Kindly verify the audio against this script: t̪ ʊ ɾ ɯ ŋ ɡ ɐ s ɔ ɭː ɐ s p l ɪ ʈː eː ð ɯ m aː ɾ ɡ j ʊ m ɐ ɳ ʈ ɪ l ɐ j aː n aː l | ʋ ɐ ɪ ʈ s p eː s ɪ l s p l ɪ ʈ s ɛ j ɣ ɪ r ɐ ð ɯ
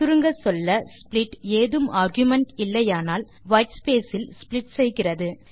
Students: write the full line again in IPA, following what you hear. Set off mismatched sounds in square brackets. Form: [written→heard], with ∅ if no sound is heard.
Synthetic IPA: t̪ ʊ ɾ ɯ ŋ ɡ ɐ s ɔ [ɭː→lː] ɐ s p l ɪ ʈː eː ð ɯ m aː ɾ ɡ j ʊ m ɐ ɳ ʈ ɪ [l→lː] ɐ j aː n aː l | ʋ ɐ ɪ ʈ s p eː s ɪ l s p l ɪ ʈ s ɛ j ɣ ɪ r ɐ ð ɯ